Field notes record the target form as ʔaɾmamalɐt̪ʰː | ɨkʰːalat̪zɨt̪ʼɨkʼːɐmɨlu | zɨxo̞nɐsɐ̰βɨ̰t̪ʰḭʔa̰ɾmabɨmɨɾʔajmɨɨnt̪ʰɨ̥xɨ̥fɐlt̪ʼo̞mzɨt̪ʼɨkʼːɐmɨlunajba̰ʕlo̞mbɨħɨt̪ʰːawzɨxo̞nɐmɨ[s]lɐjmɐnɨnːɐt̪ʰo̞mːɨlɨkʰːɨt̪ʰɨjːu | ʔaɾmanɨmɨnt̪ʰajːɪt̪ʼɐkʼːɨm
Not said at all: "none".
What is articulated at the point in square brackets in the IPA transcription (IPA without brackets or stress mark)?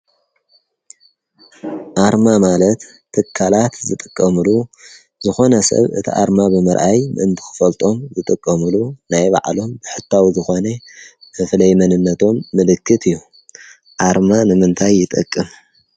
f